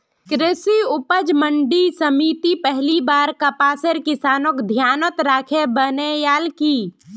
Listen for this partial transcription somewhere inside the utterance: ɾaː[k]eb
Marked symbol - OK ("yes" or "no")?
no